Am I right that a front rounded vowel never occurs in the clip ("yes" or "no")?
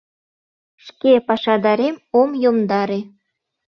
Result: yes